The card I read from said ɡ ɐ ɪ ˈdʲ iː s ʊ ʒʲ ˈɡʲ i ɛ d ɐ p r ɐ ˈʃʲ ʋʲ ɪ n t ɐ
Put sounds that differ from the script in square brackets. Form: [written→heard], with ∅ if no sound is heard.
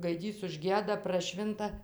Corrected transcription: ɡ ɐ ɪ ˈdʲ iː s ʊ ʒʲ ˈɡʲ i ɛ d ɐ p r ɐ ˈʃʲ ʋʲ ɪ n t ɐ